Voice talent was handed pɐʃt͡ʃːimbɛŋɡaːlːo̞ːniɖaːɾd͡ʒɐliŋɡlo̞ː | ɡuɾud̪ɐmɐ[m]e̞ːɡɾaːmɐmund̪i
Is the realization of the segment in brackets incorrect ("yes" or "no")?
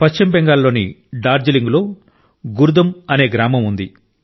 yes